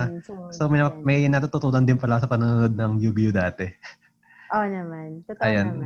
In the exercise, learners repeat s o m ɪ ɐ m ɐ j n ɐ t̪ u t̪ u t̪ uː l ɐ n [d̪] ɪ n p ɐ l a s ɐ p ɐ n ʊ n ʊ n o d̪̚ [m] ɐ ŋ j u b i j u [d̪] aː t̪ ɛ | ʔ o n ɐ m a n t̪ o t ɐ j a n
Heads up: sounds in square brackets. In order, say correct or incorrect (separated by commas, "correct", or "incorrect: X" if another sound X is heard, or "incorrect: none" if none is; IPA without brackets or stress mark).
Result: correct, incorrect: n, correct